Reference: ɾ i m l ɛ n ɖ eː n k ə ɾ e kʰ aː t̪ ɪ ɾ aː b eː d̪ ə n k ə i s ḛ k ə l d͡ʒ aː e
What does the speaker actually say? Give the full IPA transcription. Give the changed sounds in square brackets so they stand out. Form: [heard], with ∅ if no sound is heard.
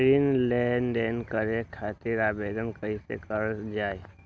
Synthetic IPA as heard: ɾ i [n] l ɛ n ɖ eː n k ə ɾ e kʰ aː t̪ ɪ ɾ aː b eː d̪ ə n k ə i s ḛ k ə [ɾ] d͡ʒ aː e